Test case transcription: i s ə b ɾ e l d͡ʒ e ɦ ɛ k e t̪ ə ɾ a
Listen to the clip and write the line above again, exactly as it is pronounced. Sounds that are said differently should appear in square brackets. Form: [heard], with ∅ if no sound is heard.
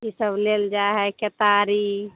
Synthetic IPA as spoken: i s ə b [l] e l d͡ʒ [a] ɦ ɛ k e t̪ [a] ɾ [i]